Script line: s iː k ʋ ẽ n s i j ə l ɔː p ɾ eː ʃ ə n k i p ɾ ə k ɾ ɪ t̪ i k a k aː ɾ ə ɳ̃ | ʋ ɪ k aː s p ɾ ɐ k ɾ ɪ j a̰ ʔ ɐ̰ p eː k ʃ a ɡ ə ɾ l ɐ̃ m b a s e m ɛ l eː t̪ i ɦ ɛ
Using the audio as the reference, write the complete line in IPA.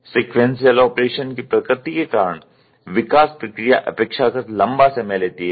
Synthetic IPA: s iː k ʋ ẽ n s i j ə l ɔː p ɾ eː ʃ ə n k i p ɾ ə k ɾ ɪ t̪ i k e k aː ɾ ə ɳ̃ | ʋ ɪ k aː s p ɾ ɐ k ɾ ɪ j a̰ ʔ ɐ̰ p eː k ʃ a k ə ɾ l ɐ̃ m b a s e m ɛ l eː t̪ i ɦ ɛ